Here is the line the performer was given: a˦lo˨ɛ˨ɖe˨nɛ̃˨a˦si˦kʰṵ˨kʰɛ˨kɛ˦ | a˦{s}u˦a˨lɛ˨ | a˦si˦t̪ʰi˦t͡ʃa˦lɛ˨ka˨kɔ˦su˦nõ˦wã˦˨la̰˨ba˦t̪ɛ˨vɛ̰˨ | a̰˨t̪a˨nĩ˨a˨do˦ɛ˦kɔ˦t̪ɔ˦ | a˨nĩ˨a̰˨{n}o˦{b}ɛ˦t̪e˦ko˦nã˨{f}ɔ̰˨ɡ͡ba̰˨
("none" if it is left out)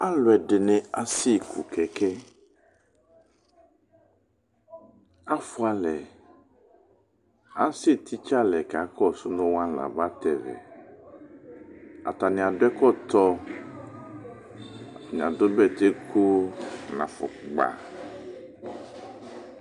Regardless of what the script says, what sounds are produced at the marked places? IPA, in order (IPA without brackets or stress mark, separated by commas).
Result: f, d, b, f